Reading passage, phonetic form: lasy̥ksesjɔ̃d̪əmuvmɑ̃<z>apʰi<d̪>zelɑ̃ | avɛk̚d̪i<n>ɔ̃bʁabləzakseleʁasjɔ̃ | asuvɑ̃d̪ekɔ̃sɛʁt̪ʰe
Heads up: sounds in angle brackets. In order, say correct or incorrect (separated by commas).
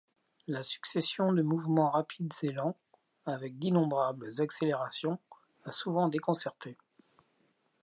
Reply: incorrect, correct, correct